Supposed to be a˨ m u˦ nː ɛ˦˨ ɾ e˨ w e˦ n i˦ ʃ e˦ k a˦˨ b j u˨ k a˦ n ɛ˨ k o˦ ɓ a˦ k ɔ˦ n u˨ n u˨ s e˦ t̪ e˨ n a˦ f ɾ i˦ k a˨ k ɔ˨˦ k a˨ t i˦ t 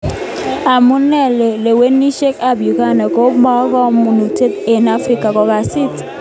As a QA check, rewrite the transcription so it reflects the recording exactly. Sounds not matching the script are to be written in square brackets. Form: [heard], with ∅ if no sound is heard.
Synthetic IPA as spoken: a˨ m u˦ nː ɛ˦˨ [l] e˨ w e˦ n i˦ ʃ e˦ k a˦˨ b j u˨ k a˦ n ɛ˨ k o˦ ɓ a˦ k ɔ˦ [m] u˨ n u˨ [t] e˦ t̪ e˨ n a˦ f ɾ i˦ k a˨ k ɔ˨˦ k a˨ [s] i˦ t

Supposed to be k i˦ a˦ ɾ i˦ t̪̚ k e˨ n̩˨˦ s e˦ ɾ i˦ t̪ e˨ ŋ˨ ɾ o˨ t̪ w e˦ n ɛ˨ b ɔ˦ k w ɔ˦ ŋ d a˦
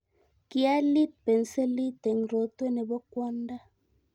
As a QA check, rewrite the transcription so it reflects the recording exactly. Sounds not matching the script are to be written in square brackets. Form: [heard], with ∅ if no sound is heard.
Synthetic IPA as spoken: k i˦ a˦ [l] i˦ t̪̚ [p] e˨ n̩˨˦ s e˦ [l] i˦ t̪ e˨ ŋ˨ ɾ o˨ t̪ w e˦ n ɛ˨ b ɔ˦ k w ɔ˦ [n] d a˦

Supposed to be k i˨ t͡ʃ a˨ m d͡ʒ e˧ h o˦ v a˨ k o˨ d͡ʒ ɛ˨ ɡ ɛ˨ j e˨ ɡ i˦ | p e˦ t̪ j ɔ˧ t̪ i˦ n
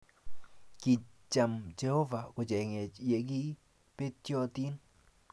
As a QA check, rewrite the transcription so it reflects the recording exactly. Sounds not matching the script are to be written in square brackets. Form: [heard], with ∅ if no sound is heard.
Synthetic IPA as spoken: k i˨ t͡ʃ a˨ m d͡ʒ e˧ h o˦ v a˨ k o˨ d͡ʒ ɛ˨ [ŋ] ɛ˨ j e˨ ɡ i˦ | p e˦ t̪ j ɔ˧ t̪ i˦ n

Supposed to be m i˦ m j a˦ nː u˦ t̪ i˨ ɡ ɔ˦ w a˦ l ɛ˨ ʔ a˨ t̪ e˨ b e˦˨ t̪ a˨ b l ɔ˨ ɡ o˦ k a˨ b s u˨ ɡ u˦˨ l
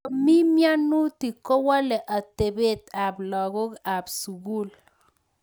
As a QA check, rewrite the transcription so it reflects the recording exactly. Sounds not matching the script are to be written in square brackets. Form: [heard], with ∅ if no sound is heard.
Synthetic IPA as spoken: m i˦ m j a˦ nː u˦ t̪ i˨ [k] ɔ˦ w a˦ l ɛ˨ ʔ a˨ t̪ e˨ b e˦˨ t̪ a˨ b l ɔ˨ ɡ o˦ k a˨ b s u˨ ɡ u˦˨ l

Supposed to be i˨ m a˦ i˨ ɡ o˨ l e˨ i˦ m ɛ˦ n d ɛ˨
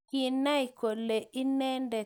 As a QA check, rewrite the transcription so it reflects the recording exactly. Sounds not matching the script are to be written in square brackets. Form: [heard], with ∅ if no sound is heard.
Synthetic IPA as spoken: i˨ [n] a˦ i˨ [k] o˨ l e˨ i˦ [n] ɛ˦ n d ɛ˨

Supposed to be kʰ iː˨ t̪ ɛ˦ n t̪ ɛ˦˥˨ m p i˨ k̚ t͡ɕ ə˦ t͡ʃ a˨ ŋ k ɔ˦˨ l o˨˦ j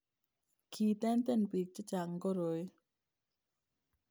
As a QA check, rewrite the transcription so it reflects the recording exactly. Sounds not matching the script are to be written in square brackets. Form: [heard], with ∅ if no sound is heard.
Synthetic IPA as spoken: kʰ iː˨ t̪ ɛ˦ n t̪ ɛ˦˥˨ [n] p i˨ k̚ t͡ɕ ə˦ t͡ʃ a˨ ŋ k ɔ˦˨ [ɾ] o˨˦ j

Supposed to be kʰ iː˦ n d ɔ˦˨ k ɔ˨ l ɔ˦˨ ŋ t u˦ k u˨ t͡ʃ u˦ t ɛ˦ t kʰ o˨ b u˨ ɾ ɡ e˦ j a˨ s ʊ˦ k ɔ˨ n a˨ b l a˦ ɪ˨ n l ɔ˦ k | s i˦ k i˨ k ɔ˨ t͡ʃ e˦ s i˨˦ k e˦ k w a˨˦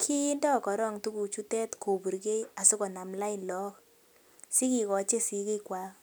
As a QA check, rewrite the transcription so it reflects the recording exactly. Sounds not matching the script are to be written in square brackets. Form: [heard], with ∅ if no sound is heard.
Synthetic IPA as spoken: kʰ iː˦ n d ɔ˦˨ k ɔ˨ [ɾ] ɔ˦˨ ŋ t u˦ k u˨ t͡ʃ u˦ t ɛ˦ t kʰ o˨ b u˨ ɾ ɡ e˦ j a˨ s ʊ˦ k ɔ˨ n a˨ [m] l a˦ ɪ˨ n l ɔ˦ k | s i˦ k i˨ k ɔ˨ t͡ʃ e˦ s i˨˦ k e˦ k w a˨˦

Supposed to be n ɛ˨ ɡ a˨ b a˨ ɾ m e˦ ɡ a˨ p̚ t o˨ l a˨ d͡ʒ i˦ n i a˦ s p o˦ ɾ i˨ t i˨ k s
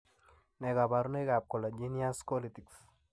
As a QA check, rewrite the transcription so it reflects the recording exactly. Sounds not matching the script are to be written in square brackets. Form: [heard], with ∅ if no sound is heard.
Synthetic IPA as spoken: n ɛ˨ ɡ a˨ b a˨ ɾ [n] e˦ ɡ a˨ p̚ [k] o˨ l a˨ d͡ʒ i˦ n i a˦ s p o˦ [l] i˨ t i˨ k s

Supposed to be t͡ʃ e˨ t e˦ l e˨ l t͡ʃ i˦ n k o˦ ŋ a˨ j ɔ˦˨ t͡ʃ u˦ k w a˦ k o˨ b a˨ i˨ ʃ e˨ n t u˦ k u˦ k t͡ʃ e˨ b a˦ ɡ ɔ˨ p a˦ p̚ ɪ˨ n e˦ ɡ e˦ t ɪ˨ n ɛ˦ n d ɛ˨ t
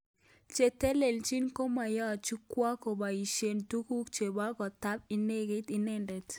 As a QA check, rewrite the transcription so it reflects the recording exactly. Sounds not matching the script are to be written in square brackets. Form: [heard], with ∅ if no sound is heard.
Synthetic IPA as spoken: t͡ʃ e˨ t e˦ l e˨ l t͡ʃ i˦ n k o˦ [m] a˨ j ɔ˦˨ t͡ʃ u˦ k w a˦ k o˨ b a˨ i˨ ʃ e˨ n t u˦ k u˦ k t͡ʃ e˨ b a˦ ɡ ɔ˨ [t] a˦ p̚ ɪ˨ n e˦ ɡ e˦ t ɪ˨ n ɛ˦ n d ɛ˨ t

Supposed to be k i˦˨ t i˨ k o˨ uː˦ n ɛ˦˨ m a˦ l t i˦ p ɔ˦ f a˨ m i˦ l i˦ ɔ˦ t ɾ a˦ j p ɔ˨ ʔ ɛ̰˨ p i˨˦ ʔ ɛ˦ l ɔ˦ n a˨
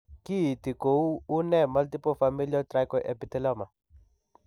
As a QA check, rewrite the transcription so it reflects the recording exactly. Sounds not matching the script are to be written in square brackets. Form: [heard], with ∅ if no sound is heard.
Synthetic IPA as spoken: k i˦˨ t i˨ k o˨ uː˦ n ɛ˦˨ m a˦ l t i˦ p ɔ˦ f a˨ m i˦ l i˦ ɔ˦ t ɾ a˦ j [k] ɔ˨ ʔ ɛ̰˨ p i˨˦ [t] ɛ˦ l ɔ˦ [m] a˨

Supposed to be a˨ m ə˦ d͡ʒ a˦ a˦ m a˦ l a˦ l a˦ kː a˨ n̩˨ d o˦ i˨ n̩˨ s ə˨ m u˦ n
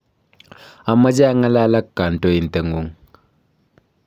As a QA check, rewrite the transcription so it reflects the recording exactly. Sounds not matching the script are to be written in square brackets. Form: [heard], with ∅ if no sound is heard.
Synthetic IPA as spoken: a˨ m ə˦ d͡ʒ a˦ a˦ [ŋ] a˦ l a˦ l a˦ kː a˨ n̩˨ [t] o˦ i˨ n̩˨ [t] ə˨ [ŋ] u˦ [ŋ]

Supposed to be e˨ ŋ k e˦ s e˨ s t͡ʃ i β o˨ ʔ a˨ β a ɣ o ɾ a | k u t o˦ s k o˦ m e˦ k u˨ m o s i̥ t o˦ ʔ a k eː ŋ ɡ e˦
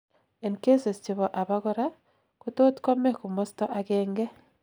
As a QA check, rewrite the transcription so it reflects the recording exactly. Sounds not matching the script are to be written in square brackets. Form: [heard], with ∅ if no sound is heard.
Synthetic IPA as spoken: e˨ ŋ k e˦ s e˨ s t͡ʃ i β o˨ ʔ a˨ β a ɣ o ɾ a | k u t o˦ [t] k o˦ m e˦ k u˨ m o s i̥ t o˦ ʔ a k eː ŋ ɡ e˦

